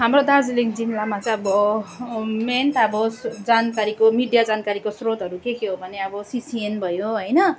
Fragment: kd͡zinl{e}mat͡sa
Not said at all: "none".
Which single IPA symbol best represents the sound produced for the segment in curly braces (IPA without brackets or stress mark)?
a